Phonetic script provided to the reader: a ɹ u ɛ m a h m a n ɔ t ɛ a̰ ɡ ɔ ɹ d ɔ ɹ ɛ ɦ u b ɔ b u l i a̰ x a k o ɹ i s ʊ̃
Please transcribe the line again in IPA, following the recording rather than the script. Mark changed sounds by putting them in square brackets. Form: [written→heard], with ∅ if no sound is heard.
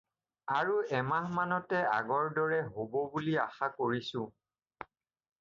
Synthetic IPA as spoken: a ɹ u ɛ m a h m a n ɔ t ɛ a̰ ɡ ɔ ɹ d ɔ ɹ ɛ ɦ [u→o] b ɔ b u l i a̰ x a k o ɹ i s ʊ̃